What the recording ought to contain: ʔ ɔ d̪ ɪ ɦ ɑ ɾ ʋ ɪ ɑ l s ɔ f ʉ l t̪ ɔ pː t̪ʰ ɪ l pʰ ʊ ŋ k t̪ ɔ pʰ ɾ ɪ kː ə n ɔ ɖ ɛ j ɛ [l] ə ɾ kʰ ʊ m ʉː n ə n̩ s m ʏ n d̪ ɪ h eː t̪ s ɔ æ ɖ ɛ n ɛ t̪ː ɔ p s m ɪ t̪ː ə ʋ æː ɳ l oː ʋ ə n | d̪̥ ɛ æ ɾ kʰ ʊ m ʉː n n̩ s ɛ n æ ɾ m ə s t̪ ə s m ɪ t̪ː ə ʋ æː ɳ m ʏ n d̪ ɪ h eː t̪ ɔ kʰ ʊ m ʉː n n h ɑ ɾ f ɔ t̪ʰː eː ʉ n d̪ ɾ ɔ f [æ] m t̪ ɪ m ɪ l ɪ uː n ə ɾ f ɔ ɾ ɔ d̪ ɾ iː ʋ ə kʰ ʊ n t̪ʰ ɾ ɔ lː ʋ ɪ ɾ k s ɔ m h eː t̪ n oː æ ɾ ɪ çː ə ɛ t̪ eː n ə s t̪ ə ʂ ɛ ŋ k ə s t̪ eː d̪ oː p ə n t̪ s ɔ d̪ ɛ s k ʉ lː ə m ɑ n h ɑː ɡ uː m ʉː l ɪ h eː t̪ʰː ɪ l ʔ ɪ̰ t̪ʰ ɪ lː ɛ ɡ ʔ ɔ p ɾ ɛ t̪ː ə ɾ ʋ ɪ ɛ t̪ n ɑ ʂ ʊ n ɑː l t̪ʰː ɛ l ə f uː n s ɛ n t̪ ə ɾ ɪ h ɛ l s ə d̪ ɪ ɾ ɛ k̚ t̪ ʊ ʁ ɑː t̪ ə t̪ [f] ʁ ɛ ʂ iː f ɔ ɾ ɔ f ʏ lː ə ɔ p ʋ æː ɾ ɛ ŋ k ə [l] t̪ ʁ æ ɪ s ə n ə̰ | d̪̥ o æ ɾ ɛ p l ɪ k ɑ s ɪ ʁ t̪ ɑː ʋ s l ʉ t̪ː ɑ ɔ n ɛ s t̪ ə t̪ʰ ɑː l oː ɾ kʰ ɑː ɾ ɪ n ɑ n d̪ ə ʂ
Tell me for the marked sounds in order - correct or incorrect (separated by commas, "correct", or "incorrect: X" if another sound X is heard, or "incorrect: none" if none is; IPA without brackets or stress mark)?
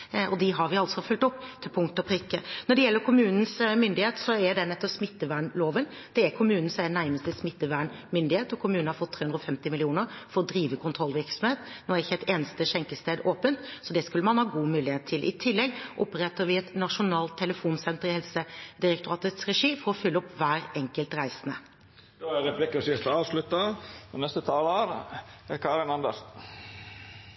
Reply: incorrect: lː, incorrect: ɛ, incorrect: s, correct